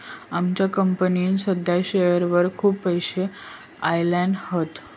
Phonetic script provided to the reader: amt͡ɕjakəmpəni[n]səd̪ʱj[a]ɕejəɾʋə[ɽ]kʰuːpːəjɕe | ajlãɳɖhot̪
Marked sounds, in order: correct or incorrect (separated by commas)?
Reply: correct, correct, incorrect